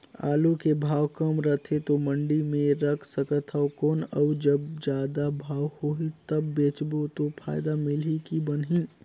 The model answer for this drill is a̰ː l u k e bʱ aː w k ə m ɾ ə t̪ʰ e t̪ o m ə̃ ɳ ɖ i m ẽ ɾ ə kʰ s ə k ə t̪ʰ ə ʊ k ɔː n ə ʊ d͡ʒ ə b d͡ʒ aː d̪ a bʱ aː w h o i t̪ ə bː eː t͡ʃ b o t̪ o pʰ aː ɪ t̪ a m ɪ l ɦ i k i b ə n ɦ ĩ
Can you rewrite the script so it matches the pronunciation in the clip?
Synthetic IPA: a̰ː l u k e bʱ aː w k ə m ɾ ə t̪ʰ e t̪ o m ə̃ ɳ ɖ i m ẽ ɾ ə kʰ s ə k ə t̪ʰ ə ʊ k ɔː n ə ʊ d͡ʒ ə b d͡ʒ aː d̪ a bʱ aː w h o i t̪ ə bː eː t͡ʃ b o t̪ o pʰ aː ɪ d̪ a m ɪ l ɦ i k i b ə n ɦ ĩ